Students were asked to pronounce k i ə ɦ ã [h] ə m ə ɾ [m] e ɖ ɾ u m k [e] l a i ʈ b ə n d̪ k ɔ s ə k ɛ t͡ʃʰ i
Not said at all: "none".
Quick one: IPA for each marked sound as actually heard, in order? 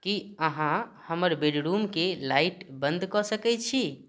h, b, e

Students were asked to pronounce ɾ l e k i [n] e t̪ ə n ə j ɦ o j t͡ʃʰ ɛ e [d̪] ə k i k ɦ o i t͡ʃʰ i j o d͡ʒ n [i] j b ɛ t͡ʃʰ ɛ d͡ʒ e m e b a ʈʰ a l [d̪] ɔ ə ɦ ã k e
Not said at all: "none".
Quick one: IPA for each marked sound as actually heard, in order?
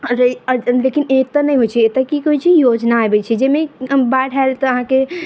n, t̪, a, t̪

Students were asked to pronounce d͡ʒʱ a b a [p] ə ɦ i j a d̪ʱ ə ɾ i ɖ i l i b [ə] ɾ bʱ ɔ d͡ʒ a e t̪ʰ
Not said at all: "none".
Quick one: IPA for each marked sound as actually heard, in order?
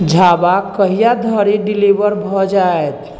k, ə

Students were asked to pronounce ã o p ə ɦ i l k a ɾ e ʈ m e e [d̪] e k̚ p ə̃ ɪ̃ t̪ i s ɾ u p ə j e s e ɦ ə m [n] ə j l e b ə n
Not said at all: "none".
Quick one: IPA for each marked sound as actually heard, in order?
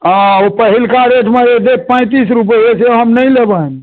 d̪, n

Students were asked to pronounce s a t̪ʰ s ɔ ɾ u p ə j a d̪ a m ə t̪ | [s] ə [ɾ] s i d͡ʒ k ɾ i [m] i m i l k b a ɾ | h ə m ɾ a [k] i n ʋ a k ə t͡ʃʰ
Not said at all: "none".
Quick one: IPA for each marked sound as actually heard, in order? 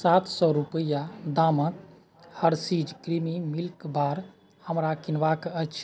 h, ɾ, m, k

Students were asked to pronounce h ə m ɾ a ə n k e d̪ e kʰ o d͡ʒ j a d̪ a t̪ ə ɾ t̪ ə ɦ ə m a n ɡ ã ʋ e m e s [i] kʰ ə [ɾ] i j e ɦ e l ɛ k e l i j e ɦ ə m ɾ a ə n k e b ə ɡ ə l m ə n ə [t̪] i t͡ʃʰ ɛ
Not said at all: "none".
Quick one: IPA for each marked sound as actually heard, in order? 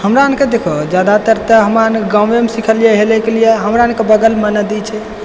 i, l, d̪

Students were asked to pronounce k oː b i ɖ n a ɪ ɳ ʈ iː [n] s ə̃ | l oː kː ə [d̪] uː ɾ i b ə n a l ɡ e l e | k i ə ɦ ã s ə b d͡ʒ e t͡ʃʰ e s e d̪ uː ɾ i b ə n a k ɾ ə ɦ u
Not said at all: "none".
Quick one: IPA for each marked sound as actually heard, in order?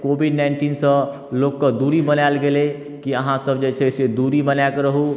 n, d̪

